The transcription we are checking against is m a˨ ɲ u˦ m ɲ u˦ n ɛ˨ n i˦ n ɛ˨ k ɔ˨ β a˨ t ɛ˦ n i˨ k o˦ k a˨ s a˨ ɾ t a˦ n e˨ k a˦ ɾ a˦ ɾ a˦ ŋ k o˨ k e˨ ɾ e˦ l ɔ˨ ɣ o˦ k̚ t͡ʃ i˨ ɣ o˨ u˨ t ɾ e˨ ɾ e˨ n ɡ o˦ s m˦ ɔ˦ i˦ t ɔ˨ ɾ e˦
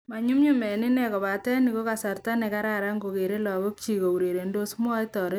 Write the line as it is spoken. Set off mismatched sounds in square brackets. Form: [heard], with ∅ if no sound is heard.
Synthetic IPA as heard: m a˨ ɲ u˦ m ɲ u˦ [m] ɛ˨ n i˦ n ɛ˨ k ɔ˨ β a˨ t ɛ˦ n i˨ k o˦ k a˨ s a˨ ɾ t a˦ n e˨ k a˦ ɾ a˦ ɾ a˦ ŋ [ɡ] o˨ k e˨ ɾ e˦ l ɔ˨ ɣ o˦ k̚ t͡ʃ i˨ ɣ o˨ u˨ [∅] ɾ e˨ ɾ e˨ n [d] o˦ s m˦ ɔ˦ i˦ t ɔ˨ ɾ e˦